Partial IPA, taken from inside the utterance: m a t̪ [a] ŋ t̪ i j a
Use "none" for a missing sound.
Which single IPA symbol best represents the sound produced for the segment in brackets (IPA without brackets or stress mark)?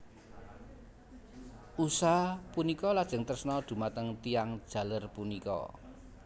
ə